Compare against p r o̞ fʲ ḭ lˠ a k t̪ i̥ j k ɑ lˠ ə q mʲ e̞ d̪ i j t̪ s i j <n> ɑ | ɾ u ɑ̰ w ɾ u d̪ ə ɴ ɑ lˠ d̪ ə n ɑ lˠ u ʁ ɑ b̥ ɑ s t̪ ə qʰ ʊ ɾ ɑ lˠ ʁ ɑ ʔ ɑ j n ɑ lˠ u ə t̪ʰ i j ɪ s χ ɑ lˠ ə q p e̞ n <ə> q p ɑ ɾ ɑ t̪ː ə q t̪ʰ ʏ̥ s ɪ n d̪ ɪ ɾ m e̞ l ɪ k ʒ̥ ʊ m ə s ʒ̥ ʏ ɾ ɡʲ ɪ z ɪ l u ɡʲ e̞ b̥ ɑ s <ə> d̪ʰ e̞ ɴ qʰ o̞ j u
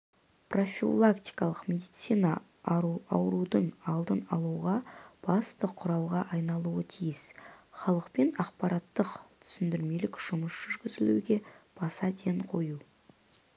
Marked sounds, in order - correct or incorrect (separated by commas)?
correct, incorrect, incorrect